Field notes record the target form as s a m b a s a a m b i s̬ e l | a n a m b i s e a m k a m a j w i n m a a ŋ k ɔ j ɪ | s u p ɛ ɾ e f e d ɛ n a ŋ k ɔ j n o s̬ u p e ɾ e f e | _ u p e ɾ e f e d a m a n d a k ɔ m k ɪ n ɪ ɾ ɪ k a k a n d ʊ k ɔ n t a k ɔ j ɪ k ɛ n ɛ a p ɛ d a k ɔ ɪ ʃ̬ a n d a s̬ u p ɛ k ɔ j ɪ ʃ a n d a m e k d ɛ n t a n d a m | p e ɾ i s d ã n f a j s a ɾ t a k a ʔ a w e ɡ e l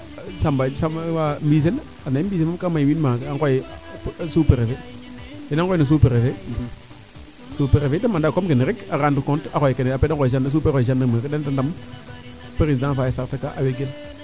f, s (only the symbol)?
s